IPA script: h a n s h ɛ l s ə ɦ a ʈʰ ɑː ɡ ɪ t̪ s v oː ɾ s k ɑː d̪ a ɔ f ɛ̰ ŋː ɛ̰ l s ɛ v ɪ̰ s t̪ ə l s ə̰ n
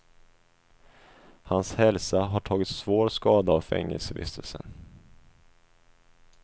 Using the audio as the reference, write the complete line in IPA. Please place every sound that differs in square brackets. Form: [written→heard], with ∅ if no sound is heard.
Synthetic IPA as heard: h a n s h ɛ l s [ə→a] ɦ a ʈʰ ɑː ɡ ɪ t̪ s v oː ɾ s k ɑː d̪ a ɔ f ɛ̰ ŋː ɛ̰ l s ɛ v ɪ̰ s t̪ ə l s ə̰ n